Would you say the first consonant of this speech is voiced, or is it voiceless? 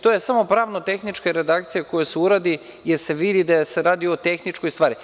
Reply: voiceless